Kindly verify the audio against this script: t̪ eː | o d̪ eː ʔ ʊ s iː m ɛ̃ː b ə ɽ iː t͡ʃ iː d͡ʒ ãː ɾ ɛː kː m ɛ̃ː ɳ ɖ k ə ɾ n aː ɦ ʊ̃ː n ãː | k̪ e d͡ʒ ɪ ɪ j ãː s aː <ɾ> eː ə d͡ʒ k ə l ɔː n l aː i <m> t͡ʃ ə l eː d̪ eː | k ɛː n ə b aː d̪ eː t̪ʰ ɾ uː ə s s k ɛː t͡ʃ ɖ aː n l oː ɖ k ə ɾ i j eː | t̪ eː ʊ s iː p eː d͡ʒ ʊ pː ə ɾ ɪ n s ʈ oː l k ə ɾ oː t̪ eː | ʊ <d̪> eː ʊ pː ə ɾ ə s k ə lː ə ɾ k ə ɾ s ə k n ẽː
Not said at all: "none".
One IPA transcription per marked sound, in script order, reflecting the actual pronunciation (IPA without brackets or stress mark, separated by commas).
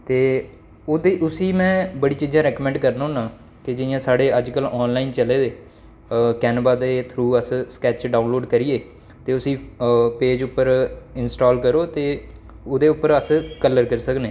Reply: ɽ, n, d̪